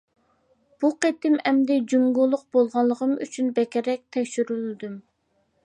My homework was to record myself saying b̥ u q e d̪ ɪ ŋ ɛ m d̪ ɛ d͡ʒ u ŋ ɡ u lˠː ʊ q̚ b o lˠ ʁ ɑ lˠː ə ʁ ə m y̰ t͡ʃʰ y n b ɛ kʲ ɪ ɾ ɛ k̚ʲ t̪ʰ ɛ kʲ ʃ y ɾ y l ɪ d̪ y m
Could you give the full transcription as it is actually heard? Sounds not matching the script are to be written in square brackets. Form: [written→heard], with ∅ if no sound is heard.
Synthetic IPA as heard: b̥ u q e [d̪→t̪] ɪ [ŋ→m] ɛ m d̪ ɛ d͡ʒ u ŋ ɡ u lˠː ʊ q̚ b o lˠ ʁ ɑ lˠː ə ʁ ə m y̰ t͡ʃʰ y n b ɛ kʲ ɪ ɾ ɛ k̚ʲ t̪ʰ ɛ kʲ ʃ y ɾ y l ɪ d̪ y m